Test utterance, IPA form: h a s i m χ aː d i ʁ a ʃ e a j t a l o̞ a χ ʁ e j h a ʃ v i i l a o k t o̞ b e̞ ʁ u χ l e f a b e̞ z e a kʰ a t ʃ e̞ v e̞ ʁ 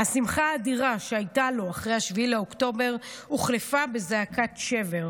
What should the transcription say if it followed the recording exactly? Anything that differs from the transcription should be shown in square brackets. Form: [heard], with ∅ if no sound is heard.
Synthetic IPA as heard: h a s i m χ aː d i ʁ a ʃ e a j t a l o̞ a χ ʁ e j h a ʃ v i i l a o k t o̞ b e̞ ʁ u χ l e f a b e̞ z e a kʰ a t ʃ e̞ v e̞ ʁ